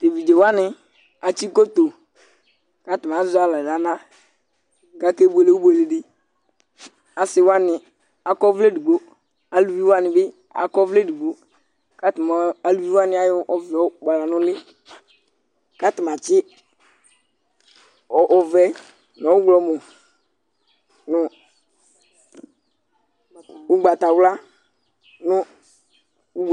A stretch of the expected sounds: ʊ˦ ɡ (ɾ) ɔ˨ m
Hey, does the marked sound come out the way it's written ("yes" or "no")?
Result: no